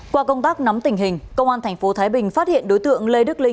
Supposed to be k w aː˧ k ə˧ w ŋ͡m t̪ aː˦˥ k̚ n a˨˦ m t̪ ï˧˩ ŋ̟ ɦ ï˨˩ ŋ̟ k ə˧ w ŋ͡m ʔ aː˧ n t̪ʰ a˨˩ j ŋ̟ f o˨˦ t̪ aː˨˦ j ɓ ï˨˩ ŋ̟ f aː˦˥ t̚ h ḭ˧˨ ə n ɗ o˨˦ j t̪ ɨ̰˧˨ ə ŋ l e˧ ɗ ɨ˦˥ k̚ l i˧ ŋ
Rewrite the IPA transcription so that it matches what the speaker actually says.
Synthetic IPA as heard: k w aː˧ k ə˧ w ŋ͡m t̪ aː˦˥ k̚ n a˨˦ m t̪ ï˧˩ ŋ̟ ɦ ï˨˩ ŋ̟ k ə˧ w ŋ͡m ʔ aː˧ n t̪ʰ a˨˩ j ŋ̟ f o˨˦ t̪ʰ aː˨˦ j ɓ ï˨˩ ŋ̟ f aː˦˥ t̚ h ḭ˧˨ ə n ɗ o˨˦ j t̪ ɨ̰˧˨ ə ŋ l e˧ ɗ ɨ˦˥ k̚ l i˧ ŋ